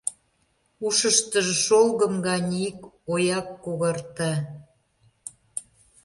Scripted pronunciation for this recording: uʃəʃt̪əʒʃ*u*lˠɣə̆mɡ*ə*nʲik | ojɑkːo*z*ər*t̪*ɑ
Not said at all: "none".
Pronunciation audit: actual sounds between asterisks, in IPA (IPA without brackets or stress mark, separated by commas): o, ɑ, ɣ, t̪